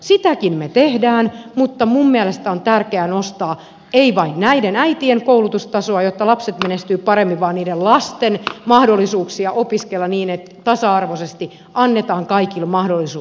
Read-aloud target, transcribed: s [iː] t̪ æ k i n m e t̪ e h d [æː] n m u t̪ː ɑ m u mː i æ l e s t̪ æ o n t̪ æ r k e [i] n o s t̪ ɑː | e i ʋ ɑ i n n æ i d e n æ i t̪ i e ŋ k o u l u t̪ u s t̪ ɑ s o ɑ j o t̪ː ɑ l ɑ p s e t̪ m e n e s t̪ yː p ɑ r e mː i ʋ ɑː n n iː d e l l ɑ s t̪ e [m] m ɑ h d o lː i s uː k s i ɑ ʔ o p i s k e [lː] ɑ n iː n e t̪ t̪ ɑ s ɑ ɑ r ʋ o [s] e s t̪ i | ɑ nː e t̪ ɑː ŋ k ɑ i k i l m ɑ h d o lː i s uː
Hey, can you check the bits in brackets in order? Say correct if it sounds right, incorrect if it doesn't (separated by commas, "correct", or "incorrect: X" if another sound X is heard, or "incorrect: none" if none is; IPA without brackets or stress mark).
incorrect: i, correct, incorrect: æ, incorrect: n, correct, correct